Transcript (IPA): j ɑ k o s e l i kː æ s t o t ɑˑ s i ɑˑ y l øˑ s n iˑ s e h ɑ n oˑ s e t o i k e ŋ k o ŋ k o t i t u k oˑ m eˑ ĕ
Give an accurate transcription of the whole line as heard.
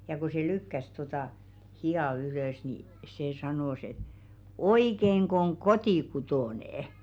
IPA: j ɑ k o s e l y kː æ s t o t ɑˑ h i ɑˑ y l øˑ s n iˑ s e s ɑ n oˑ s e t o i k e ŋ k o ŋ k o t i k u t oˑ n eˑ ĕ

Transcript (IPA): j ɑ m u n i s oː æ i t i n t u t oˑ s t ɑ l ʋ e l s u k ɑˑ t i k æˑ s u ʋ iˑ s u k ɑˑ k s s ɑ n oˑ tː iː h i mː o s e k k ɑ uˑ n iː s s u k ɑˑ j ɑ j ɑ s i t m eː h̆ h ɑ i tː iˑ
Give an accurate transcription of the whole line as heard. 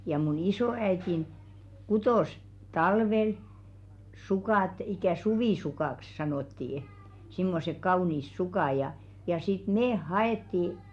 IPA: j ɑ m u n i s oː æ i t i n k u t oˑ s t ɑ l ʋ e l s u k ɑˑ t i k æˑ s u ʋ iˑ s u k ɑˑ k s s ɑ n oˑ tː iː s i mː o s e k k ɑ uˑ n iː s s u k ɑˑ j ɑ j ɑ s i t m eː h̆ h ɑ e tː iˑ

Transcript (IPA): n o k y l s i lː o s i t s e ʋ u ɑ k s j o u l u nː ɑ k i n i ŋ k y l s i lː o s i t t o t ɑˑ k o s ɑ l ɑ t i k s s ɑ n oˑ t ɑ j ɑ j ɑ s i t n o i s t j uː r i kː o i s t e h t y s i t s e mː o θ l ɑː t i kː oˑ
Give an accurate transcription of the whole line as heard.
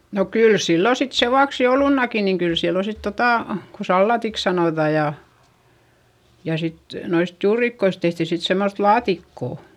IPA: n o k y l s i lː o s i t s e ʋ u ɑ k s j o u l u nː ɑ k i n i ŋ k y l s i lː o s i t t o t ɑˑ k o s ɑ lː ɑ t i k s s ɑ n oˑ t ɑ j ɑ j ɑ s i t n o i s t j uː r i kː o i s t e h t i s i t s e mː o θ l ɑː t i kː oˑ

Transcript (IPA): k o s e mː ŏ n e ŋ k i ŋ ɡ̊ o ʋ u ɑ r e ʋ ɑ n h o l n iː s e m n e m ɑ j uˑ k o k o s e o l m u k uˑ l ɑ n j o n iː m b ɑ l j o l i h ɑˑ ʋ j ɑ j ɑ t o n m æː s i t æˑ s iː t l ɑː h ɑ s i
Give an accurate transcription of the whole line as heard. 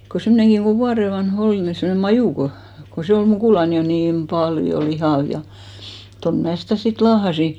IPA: k o s e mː ŏ n e ŋ k i ŋ ɡ̊ o ʋ u ɑ r e ʋ ɑ n h o l n i s e m n e m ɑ j uˑ k o k o s e o l m u k uˑ l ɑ n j o n iː m p ɑ l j o l i h ɑˑ ʋ j ɑ j ɑ t o n m æː s i t æˑ s i t l ɑː h ɑ s i

